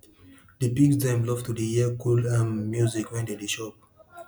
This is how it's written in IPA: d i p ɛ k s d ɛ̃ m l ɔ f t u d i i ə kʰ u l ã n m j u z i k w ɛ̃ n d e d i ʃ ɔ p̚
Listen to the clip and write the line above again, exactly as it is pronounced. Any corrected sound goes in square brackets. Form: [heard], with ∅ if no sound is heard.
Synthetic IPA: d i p [i] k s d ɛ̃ m l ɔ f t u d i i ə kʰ u l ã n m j u z i k w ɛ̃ n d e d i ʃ ɔ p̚